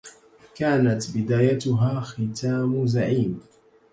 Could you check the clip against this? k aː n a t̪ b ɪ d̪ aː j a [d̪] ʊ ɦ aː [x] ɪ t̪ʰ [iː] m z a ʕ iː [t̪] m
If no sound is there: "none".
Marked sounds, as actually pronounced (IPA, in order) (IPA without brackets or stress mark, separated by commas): t̪, x, aː, none